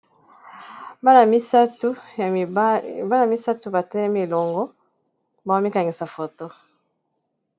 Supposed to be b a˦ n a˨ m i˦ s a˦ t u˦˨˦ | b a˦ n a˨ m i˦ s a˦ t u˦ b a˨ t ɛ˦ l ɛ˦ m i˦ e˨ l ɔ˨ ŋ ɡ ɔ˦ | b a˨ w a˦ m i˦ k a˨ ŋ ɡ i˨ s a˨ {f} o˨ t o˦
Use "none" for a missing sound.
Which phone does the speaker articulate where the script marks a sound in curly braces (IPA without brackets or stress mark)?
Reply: f